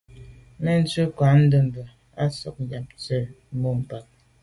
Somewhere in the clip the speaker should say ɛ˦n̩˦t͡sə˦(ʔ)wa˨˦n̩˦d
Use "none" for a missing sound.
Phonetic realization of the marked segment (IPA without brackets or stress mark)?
k